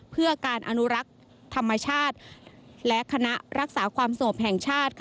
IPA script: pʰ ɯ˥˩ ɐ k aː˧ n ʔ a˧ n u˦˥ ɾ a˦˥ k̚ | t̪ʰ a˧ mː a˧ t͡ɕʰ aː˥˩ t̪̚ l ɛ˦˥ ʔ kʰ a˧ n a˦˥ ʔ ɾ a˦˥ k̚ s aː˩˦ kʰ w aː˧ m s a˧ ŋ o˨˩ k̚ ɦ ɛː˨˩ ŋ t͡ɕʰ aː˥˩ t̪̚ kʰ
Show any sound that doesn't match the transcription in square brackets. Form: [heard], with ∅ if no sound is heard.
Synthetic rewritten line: pʰ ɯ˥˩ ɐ k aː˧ n ʔ a˧ n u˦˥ ɾ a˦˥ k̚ | t̪ʰ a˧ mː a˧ t͡ɕʰ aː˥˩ t̪̚ l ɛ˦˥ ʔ kʰ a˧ n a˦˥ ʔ ɾ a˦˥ k̚ s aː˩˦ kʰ w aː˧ m s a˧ ŋ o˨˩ [p̚] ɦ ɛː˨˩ ŋ t͡ɕʰ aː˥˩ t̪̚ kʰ

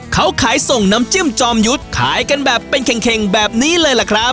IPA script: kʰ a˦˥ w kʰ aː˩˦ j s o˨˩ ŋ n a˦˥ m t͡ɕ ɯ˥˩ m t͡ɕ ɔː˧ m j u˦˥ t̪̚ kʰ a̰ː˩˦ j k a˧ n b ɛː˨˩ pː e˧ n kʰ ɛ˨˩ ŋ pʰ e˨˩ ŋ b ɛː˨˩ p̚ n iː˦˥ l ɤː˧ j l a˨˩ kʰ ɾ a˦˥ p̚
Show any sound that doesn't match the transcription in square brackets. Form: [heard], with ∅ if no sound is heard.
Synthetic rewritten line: kʰ a˦˥ w kʰ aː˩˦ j s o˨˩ ŋ n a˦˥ m t͡ɕ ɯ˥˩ m t͡ɕ ɔː˧ m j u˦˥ t̪̚ kʰ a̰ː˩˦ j k a˧ n b ɛː˨˩ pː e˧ n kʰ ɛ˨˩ ŋ [kʰ] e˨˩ ŋ b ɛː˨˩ p̚ n iː˦˥ l ɤː˧ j l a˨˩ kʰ ɾ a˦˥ p̚

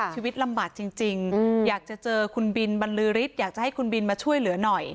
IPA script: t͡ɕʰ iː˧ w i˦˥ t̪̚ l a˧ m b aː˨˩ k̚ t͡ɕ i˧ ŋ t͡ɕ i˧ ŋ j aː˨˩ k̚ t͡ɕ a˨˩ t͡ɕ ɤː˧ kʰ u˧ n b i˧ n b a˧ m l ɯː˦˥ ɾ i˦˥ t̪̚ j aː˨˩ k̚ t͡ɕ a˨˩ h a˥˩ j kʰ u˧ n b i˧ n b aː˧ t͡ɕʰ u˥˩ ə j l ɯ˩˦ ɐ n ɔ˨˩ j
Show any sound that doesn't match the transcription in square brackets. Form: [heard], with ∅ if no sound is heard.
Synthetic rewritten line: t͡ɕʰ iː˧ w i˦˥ t̪̚ l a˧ m b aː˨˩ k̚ t͡ɕ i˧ ŋ t͡ɕ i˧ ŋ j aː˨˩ k̚ t͡ɕ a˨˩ t͡ɕ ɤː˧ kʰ u˧ n b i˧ n b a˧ [n] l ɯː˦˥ ɾ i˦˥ t̪̚ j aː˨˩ k̚ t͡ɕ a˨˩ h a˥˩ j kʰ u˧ n b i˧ n [m] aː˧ t͡ɕʰ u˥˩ ə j l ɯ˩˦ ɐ n ɔ˨˩ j

